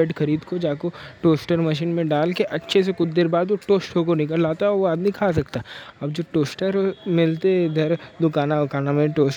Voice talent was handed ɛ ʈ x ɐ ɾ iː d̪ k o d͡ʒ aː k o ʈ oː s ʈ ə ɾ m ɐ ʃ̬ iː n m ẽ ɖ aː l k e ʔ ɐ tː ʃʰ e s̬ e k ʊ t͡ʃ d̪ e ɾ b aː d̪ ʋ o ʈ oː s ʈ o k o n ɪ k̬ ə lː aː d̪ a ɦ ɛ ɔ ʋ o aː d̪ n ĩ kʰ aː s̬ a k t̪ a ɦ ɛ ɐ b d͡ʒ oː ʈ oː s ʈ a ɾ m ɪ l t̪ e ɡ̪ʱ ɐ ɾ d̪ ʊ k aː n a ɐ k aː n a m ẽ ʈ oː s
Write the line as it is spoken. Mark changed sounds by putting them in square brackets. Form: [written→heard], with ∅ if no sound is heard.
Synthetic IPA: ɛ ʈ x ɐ ɾ iː d̪ k o d͡ʒ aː k o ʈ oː s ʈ ə ɾ m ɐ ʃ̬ iː n m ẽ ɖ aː l k e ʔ ɐ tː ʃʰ e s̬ e k ʊ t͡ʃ d̪ e ɾ b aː d̪ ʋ o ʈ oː s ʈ o k o n ɪ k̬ ə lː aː [d̪→t̪] a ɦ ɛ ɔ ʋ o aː d̪ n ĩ kʰ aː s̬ [a→ɐ] k t̪ a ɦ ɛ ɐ b d͡ʒ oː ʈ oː s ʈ [a→ə] ɾ m ɪ l t̪ e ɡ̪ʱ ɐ ɾ d̪ ʊ k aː n a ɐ k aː n a m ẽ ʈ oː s